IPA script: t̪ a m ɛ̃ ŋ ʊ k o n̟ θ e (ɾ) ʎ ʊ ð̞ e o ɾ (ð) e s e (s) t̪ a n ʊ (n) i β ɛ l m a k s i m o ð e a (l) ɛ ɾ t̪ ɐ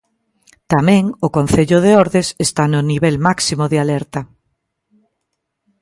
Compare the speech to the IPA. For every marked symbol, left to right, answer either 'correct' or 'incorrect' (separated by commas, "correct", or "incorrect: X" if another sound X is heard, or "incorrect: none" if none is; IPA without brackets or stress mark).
incorrect: none, correct, correct, correct, correct